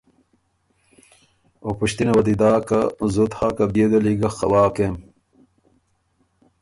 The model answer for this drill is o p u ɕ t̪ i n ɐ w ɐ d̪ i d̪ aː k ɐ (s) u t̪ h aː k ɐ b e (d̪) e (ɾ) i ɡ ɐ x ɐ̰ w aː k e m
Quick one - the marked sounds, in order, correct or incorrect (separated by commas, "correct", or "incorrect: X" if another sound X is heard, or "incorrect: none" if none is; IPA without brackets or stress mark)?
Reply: incorrect: z, correct, incorrect: l